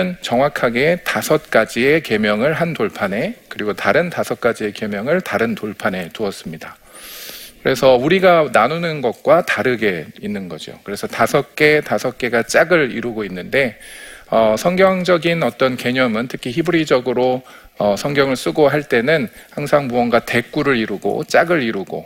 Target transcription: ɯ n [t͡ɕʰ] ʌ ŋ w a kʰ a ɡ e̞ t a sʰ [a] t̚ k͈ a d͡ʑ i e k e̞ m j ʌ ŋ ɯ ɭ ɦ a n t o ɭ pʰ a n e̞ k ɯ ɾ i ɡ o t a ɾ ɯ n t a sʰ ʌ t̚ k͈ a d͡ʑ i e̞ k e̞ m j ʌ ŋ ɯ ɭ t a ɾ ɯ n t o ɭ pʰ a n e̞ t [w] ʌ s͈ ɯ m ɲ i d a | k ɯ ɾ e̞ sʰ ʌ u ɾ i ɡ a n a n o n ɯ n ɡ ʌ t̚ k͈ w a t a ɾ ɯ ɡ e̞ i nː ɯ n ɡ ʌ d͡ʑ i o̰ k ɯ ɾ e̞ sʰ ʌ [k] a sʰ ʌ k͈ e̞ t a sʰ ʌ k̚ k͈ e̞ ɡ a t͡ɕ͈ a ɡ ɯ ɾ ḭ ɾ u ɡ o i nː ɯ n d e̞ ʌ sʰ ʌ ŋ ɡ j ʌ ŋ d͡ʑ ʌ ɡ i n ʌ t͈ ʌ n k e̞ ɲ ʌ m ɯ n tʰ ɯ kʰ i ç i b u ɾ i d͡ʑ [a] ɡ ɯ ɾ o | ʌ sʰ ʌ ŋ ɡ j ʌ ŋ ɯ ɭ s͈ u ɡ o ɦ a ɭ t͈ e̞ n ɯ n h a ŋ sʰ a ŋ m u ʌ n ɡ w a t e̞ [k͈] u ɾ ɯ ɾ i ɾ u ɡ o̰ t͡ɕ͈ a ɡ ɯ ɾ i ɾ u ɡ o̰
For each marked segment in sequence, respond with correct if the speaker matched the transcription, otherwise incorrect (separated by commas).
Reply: incorrect, incorrect, incorrect, incorrect, incorrect, correct